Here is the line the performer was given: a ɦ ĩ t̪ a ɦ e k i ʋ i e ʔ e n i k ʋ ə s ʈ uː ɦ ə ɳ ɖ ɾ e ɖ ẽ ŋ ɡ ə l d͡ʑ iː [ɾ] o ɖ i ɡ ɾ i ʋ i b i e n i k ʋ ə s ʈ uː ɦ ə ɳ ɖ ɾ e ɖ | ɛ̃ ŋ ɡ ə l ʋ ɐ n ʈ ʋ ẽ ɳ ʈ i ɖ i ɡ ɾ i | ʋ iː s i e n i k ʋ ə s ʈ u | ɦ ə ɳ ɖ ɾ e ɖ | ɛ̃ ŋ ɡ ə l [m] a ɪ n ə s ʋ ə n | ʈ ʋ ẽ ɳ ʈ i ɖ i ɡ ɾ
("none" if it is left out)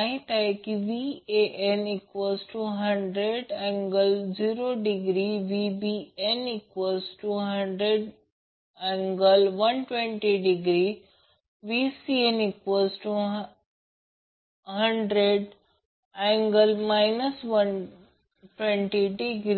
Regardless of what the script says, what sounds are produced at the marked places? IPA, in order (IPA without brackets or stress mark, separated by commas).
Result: ɾ, m